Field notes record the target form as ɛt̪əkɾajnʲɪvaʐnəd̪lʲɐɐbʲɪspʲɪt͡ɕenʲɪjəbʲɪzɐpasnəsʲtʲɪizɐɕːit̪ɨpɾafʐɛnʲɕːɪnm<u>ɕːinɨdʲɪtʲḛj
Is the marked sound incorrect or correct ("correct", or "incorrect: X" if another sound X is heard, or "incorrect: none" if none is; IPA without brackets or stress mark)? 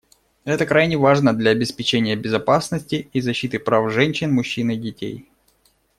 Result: incorrect: ʊ